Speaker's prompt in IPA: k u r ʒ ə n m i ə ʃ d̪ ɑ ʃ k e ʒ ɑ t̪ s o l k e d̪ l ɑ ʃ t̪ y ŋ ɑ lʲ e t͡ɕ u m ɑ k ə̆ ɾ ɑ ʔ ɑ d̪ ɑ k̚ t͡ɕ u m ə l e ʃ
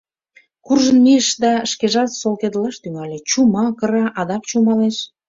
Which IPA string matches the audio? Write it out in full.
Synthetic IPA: k u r ʒ ə n m i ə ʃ d̪ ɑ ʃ k e ʒ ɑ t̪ s o l k e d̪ l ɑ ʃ t̪ y ŋ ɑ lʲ e t͡ɕ u m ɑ k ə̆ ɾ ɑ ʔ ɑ d̪ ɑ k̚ t͡ɕ u m ɑ l e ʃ

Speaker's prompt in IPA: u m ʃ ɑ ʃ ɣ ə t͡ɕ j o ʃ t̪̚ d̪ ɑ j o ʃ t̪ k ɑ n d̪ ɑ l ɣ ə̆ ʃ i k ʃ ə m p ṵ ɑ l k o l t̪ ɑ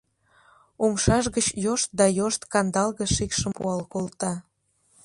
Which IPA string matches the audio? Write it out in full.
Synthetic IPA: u m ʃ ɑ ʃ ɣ ə t͡ɕ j o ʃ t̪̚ d̪ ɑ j o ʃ t̪ k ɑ n d̪ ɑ l ɣ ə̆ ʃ i k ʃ ə m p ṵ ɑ l k o l t̪ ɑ

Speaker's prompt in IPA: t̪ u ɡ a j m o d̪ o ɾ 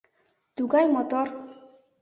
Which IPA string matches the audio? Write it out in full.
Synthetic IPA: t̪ u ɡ a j m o t̪ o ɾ

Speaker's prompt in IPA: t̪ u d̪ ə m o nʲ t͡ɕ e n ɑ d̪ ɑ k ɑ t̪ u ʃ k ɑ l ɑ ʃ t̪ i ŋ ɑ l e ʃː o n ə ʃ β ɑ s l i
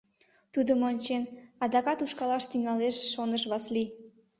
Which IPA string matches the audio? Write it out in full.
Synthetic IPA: t̪ u d̪ ə m o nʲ t͡ɕ e n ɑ d̪ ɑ k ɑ t̪ u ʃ k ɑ l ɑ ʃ t̪ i ŋ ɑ l e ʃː o n ə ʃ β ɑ s l i

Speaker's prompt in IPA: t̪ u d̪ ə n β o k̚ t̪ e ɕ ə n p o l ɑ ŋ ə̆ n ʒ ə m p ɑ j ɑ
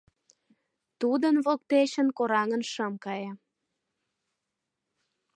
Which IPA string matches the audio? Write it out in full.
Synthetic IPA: t̪ u d̪ ə n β o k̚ t̪ e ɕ ə n k o ɾ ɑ ŋ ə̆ n ʃ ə m k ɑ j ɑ

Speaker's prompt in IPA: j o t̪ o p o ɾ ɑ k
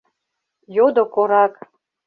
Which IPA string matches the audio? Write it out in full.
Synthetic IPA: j o d̪ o k o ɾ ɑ k

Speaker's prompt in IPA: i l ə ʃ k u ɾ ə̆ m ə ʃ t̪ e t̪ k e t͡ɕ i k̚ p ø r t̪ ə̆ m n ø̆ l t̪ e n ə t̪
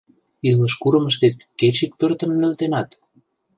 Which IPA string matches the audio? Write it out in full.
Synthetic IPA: i l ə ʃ k u ɾ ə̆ m ə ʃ t̪ e t̪ k e t͡ɕ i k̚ p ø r t̪ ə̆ m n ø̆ l t̪ e n ɑ t̪

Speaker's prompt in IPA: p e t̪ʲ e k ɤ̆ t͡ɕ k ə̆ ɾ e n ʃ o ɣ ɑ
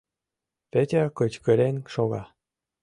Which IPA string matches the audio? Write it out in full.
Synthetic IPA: p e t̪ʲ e k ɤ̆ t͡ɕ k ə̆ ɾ e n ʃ o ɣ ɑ

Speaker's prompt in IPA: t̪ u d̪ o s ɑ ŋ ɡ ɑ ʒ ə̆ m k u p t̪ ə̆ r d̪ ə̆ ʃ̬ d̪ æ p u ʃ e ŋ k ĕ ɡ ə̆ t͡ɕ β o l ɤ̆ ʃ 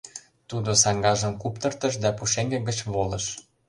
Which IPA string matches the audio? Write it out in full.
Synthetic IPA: t̪ u d̪ o s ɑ ŋ ɡ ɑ ʒ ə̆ m k u p t̪ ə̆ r t̪ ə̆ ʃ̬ d̪ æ p u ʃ e ŋ ɡ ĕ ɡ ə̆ t͡ɕ β o l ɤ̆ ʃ

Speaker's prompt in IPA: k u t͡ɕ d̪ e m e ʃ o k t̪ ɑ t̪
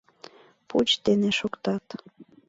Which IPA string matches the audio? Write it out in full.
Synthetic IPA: p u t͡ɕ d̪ e n e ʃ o k t̪ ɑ t̪

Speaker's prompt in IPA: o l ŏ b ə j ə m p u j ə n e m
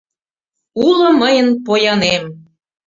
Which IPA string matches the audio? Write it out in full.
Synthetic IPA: u l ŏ m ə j ə n p o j ɑ n e m

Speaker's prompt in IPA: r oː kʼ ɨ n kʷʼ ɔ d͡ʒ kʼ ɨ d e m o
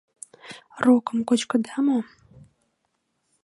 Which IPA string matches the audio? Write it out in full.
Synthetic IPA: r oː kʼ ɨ m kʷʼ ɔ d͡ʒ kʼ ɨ d a m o

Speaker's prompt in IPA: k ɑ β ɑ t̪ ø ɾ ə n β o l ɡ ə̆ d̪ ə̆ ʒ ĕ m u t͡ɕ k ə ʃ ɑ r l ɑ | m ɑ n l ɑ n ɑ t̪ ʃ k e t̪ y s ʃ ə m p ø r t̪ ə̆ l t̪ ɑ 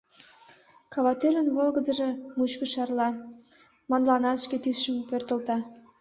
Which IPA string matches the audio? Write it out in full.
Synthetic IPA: k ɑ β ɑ t̪ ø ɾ ə n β o l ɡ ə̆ d̪ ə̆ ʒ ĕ m u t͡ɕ k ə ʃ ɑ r l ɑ | m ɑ n l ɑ n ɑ t̪ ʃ k e t̪ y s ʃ ə m p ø r t̪ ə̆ l t̪ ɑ

